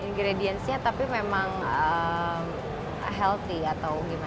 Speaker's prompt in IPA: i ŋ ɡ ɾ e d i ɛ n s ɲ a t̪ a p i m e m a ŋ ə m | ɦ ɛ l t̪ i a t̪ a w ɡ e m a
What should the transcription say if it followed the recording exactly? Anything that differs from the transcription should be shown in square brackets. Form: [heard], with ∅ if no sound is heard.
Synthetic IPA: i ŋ ɡ ɾ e d i ɛ n s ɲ a t̪ a p i m e m a ŋ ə m | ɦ ɛ l t̪ i a t̪ a w ɡ [i] m a